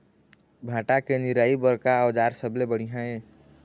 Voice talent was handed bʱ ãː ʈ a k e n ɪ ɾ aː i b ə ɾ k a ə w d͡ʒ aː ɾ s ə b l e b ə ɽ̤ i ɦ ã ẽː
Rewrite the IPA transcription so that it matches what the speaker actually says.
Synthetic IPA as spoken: bʱ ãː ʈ a k e n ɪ ɾ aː i b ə ɾ k a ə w d͡ʒ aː ɾ s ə b l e b ə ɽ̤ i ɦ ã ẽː